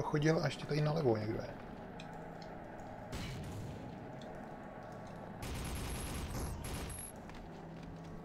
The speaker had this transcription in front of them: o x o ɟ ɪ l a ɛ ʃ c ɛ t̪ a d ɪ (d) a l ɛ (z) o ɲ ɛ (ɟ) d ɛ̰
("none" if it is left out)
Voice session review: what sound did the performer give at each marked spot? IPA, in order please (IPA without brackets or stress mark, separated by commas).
n, v, ɡ